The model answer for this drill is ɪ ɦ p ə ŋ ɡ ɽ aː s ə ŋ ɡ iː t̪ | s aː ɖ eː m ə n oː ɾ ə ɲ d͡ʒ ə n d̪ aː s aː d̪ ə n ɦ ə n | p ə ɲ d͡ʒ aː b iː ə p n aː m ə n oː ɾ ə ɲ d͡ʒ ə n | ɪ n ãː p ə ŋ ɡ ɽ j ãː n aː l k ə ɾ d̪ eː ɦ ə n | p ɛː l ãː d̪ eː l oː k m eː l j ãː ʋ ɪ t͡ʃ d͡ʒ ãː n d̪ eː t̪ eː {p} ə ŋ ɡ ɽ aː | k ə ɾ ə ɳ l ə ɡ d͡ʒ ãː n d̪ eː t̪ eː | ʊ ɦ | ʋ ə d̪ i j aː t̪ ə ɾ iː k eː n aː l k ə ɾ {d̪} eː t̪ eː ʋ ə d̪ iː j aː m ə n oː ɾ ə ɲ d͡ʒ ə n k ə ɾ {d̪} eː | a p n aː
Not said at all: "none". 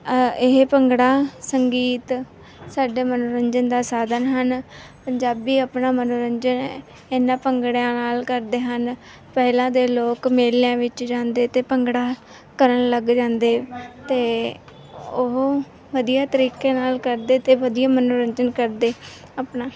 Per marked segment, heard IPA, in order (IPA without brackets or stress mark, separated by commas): p, d̪, d̪